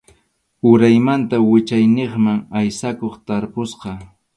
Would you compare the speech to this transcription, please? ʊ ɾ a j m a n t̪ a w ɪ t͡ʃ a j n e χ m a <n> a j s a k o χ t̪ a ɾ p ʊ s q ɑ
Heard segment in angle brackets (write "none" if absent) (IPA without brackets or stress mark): ŋ